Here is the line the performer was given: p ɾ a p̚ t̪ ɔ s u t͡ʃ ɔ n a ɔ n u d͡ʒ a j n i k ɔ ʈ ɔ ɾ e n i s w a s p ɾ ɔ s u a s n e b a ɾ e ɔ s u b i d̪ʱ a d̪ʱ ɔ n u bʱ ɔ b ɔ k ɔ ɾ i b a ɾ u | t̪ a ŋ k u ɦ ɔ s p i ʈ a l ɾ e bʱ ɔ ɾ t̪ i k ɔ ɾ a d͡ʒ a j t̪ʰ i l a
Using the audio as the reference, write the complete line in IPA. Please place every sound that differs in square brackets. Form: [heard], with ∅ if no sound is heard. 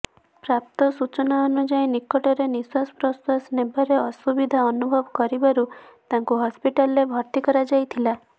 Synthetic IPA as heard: p ɾ a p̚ t̪ ɔ s u t͡ʃ ɔ n a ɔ n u d͡ʒ a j n i k ɔ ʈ ɔ ɾ e n i s w a s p ɾ ɔ s [w] a s n e b a ɾ e ɔ s u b i d̪ʱ a [∅] ɔ n u bʱ ɔ b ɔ k ɔ ɾ i b a ɾ u | t̪ a ŋ k u ɦ ɔ s p i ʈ a l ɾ e bʱ ɔ ɾ t̪ i k ɔ ɾ a d͡ʒ a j t̪ʰ i l a